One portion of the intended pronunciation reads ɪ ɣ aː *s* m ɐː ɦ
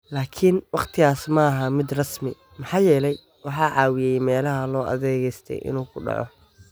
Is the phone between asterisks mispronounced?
no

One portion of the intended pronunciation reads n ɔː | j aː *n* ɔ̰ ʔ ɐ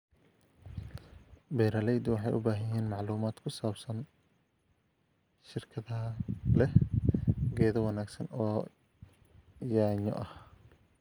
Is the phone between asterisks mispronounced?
yes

